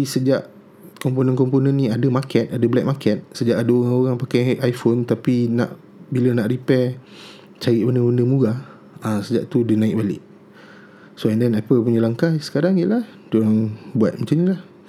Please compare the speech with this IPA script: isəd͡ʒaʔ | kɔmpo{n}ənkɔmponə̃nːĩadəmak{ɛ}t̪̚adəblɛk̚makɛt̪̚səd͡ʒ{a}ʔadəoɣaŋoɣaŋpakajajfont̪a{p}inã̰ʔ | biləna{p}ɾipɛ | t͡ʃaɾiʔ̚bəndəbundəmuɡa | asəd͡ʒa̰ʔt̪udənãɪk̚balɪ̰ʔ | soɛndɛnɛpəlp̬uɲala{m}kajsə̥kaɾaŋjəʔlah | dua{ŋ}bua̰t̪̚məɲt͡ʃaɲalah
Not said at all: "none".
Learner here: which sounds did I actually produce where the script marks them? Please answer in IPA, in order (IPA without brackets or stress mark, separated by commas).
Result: n, ɛ, a, p, ʔ, ŋ, ŋ